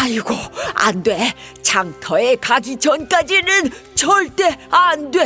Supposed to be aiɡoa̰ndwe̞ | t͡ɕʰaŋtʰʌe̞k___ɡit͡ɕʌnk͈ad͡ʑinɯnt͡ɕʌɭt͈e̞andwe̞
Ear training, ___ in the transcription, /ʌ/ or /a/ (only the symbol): a